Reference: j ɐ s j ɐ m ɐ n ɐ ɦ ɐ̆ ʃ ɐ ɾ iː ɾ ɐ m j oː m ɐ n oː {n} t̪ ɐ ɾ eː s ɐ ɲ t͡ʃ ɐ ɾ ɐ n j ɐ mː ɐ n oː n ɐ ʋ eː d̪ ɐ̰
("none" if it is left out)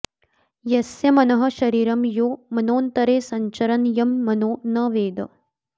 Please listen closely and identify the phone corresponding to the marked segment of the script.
n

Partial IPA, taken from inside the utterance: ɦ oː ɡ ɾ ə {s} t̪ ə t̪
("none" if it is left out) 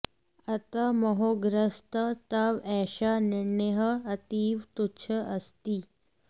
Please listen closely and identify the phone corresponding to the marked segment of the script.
s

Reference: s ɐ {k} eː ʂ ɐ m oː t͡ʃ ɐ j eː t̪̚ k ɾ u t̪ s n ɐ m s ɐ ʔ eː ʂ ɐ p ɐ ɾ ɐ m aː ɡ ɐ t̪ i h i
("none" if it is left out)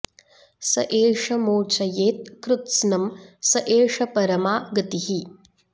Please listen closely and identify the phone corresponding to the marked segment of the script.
ʔ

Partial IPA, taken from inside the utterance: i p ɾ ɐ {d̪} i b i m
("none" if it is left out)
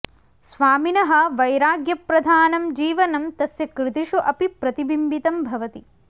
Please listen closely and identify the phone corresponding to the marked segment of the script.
t̪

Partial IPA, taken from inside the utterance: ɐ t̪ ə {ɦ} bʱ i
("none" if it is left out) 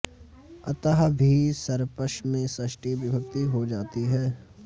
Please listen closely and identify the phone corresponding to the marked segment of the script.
ɦ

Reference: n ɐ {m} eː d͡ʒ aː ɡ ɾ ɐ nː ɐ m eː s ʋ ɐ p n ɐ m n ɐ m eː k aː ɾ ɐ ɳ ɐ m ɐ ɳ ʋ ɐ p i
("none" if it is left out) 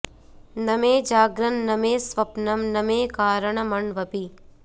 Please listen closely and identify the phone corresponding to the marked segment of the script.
m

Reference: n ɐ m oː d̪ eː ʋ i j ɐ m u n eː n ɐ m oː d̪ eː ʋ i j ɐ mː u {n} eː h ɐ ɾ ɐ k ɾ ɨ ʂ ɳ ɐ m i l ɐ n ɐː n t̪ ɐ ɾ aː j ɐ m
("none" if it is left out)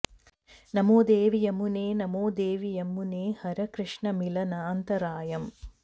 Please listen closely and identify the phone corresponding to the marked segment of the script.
n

